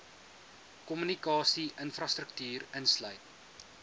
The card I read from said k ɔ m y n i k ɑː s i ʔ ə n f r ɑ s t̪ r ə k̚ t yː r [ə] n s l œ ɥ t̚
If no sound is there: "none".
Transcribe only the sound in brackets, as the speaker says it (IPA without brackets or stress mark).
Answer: ə